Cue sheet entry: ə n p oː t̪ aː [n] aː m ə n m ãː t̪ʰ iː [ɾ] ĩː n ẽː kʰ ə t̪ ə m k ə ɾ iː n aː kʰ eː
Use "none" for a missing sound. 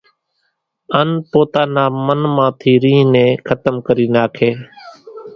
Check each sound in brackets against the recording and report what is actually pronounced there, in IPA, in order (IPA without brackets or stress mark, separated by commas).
n, ɾ